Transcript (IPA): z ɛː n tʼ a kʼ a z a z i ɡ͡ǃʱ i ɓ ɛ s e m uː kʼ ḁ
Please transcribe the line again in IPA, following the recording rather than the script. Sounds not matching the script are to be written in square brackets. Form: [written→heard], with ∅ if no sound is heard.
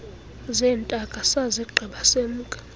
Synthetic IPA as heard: z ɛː n tʼ a kʼ a [z→s] a z i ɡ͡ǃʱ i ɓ [ɛ→a] s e m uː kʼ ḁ